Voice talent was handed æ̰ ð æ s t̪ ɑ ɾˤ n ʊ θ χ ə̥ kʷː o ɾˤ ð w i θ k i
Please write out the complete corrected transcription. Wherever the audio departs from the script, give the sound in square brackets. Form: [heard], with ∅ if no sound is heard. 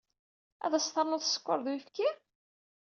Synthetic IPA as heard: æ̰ ð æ s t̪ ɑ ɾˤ n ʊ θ [s] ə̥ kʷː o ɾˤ ð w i [f] k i